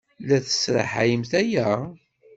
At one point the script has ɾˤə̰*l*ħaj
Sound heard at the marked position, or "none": none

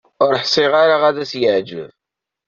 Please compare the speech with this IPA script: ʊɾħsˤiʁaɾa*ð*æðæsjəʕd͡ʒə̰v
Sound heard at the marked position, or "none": ʁ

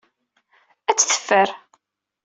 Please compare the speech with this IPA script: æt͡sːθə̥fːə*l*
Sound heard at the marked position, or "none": ɾ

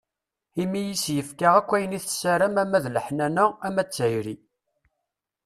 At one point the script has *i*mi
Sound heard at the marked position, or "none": i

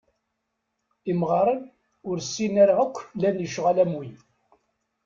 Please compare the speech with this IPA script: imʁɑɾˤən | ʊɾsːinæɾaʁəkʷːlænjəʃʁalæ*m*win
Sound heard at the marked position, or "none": m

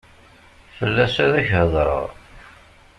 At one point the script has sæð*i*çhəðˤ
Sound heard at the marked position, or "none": æ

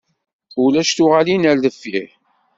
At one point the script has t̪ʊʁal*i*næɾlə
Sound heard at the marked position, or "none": i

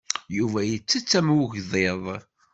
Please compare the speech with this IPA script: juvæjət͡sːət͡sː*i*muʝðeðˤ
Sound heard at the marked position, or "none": æ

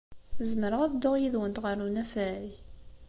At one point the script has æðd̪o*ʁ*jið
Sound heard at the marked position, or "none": ʁ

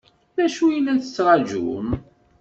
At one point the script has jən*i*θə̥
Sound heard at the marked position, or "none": æ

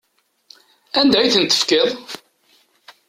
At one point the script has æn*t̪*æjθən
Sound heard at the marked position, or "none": d̪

